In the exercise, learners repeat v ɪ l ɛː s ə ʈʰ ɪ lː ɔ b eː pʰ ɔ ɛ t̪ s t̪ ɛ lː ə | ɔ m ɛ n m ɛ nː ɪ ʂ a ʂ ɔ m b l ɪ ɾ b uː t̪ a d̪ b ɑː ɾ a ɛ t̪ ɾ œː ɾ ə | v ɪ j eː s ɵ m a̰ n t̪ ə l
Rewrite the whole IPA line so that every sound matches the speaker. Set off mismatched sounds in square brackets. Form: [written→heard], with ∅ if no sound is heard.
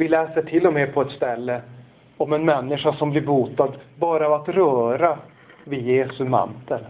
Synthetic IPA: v ɪ l ɛː s ə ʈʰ ɪ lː ɔ [b→m] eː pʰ ɔ ɛ t̪ s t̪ ɛ lː ə | ɔ m ɛ n m ɛ nː ɪ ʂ a ʂ ɔ m b l ɪ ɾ b uː t̪ a d̪ b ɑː ɾ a [ɛ→a] t̪ ɾ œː ɾ [ə→a] | v ɪ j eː s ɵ m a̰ n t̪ ə l